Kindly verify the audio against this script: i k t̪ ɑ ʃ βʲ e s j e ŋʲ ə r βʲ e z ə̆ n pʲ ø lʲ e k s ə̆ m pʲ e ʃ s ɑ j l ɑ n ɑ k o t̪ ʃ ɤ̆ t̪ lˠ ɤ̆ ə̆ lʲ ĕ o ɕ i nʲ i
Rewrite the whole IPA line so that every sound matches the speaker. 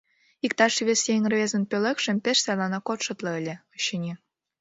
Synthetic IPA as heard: i k t̪ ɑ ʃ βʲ e s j e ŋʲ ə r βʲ e z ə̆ n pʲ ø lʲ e k ʃ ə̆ m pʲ e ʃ s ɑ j l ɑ n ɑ k o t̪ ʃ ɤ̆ t̪ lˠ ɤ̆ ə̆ lʲ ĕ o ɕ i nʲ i

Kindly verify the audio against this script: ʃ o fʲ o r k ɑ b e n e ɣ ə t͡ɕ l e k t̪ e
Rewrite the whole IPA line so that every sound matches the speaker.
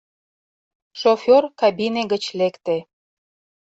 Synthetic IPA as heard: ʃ o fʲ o r k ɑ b i n e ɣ ə t͡ɕ l e k t̪ e

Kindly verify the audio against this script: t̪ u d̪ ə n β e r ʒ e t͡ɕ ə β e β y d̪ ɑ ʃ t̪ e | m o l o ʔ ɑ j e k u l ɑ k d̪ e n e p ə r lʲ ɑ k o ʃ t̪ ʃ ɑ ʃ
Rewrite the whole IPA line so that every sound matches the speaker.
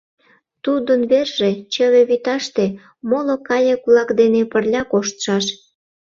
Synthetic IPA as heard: t̪ u d̪ ə n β e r ʒ e t͡ɕ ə β e β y t̪ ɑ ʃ t̪ e | m o l o k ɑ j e k u l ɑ k d̪ e n e p ə r lʲ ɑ k o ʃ t̪ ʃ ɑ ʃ

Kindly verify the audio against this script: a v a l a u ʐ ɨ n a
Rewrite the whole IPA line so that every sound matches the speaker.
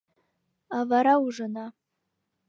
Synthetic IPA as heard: a v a ɾ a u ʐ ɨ n a

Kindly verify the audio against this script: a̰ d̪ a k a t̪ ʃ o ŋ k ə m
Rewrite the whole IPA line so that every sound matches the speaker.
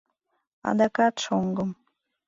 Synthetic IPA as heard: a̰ d̪ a k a t̪ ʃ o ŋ ɡ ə m

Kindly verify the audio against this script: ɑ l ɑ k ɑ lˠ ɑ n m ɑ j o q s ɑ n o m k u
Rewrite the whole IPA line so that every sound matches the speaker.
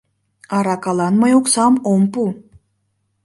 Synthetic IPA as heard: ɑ ɾ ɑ k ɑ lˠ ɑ n m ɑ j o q s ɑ m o m p u

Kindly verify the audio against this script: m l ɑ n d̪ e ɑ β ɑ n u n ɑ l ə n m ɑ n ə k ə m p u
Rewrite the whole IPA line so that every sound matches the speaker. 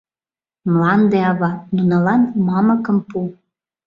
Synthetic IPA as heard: m l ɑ n d̪ e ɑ β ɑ n u n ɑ l ɑ n m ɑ m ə k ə m p u

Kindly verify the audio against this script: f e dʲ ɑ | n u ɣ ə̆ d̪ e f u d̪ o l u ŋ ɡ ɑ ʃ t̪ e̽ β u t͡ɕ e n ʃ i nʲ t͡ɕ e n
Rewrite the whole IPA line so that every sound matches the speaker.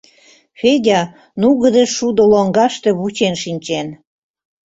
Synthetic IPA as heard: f e dʲ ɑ | n u ɣ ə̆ d̪ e ʃ u d̪ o l o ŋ ɡ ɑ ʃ t̪ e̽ β u t͡ɕ e n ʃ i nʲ t͡ɕ e n

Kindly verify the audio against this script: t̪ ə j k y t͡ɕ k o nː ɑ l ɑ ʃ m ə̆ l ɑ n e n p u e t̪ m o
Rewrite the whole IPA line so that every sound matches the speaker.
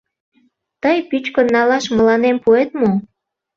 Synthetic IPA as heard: t̪ ə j p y t͡ɕ k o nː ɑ l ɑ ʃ m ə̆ l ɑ n e m p u e t̪ m o

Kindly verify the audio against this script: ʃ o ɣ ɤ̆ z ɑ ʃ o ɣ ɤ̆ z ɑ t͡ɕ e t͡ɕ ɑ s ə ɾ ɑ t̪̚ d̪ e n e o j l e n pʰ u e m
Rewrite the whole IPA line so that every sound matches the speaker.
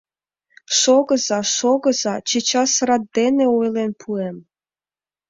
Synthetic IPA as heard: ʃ o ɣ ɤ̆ z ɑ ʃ o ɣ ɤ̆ z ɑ t͡ɕ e t͡ɕ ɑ s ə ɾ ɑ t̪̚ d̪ e n e o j l e n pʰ u e m

